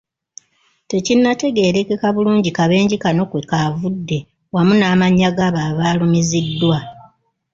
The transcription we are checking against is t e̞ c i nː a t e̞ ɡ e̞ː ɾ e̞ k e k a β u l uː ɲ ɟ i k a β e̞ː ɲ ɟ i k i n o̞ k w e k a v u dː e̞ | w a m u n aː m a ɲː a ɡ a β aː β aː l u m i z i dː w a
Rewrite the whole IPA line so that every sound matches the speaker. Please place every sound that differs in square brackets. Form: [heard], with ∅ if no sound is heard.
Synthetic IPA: t e̞ c i nː a t e̞ ɡ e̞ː ɾ e̞ k e k a β u l uː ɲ ɟ i k a β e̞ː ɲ ɟ i k [a] n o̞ k w e k a v u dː e̞ | w a m u n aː m a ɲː a ɡ a β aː β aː l u m i z i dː w a